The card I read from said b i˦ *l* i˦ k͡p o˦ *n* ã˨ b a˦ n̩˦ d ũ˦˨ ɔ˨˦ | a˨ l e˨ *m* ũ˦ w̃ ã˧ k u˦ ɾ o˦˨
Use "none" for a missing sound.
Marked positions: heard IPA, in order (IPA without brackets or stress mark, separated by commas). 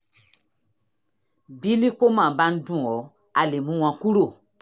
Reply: l, m, m